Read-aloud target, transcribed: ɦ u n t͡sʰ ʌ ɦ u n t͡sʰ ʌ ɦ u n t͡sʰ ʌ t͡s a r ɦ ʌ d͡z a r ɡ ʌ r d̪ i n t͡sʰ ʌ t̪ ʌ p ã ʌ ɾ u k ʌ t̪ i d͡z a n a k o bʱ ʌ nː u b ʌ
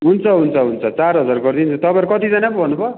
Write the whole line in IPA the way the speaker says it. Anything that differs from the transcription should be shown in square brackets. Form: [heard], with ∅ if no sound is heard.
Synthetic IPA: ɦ u n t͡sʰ ʌ ɦ u n t͡sʰ ʌ ɦ u n t͡sʰ ʌ t͡s a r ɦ ʌ d͡z a r ɡ ʌ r d̪ i n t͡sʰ ʌ t̪ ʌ p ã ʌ ɾ u k ʌ t̪ i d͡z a n a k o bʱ ʌ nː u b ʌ